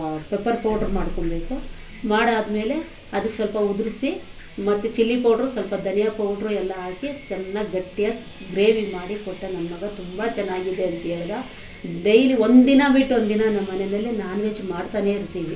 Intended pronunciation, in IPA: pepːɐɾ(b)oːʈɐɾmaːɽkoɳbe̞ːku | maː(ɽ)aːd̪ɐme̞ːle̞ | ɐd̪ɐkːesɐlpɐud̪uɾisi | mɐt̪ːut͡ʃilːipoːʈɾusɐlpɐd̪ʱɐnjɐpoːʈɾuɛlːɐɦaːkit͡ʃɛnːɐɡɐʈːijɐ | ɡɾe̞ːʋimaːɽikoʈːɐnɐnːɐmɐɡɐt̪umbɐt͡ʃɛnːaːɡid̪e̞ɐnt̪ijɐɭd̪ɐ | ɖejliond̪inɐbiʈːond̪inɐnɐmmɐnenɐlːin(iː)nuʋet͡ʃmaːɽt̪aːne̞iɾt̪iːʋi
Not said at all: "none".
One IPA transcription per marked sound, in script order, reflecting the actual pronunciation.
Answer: p, ɽ, aː

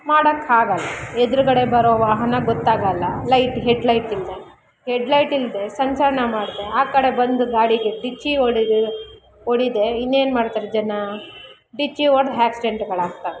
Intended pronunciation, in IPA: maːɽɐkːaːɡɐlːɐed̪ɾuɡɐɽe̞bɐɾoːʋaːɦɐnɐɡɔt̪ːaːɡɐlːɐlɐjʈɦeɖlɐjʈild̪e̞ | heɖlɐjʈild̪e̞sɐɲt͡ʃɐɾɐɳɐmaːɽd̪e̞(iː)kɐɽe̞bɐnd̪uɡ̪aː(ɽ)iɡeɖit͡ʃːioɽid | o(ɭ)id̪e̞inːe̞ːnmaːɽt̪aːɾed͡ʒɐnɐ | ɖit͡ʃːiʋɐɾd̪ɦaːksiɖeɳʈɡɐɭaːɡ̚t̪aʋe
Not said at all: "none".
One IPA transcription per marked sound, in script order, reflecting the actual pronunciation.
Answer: aː, ɽ, ɽ

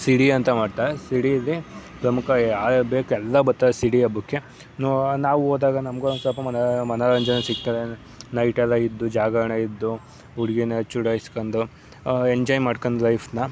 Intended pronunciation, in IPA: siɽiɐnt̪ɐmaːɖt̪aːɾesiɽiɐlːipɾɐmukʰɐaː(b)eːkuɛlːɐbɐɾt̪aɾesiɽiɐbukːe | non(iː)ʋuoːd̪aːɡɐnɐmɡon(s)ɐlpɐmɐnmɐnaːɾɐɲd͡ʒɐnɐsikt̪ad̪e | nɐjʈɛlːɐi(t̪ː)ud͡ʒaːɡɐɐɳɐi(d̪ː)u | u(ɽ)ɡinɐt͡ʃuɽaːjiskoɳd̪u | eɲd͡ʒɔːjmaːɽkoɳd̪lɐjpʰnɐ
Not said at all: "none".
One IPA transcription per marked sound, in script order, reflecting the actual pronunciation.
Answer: b, aː, s, d̪ː, d̪ː, ɽ

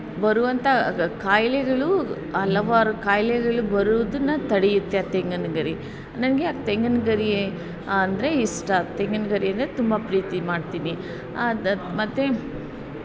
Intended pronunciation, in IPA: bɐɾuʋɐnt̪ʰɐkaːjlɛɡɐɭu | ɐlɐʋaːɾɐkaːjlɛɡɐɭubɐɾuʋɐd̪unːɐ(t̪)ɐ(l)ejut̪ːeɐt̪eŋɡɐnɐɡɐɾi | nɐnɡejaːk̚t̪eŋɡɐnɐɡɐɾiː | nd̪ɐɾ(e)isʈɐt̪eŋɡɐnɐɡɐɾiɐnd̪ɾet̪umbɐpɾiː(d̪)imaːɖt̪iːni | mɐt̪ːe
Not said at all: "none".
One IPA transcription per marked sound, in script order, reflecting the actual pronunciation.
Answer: t̪, ɽ, e, t̪

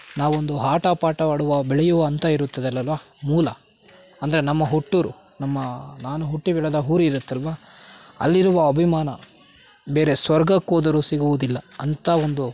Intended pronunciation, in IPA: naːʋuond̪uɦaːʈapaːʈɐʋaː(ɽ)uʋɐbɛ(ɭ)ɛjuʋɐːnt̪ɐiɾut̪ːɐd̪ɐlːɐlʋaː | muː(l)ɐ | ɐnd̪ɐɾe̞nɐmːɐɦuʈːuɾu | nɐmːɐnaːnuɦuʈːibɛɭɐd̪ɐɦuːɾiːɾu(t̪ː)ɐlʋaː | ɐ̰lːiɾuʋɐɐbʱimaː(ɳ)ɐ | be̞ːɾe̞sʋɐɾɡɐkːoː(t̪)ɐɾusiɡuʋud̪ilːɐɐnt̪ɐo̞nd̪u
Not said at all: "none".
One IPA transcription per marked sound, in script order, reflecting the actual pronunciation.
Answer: ɽ, ɭ, l, t̪ː, n, d̪

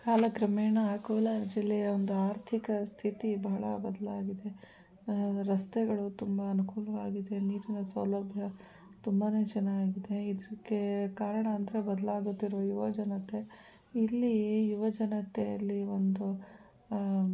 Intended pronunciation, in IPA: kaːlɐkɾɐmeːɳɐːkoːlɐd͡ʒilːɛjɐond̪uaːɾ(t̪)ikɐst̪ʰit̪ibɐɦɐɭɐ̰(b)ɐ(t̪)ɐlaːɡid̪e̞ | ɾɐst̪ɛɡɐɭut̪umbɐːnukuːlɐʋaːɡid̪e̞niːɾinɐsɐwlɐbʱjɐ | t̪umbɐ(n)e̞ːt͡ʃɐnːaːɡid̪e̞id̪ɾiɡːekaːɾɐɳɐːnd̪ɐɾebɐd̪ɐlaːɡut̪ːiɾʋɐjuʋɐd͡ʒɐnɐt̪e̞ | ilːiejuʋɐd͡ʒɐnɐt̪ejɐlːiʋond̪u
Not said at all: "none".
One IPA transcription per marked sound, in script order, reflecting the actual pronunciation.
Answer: t̪ʰ, b, d̪, n

